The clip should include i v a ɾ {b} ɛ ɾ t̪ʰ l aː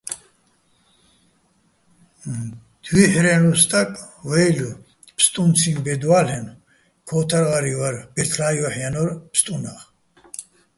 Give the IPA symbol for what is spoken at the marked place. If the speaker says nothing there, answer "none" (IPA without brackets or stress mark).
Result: b